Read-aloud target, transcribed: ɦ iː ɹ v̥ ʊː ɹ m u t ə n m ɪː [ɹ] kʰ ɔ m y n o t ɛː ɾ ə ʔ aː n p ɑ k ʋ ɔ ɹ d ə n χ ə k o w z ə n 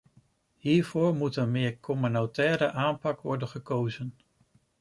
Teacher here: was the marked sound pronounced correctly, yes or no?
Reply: yes